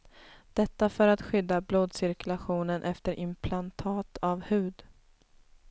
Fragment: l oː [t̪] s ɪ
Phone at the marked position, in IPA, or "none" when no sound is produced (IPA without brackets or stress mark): d̪